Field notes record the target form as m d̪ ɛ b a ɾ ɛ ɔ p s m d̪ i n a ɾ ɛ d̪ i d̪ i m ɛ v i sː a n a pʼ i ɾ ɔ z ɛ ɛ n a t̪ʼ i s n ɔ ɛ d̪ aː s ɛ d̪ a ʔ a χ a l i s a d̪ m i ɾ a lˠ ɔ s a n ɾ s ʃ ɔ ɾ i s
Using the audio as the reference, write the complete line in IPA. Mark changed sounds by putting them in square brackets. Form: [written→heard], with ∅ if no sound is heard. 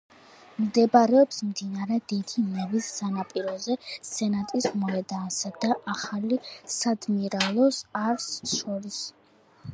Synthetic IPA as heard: m d̪ ɛ b a ɾ ɛ ɔ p s m d̪ i n a ɾ ɛ d̪ i d̪ i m ɛ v i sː a n a pʼ i ɾ ɔ z ɛ ɛ n a t̪ʼ i s [n→m] ɔ ɛ d̪ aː s [ɛ→a] d̪ a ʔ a χ a l i s a d̪ m i ɾ a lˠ ɔ s a [n→∅] ɾ s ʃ ɔ ɾ i s